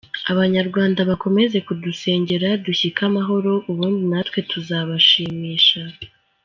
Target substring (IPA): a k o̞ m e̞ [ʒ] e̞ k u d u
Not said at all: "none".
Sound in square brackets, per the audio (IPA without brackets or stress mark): z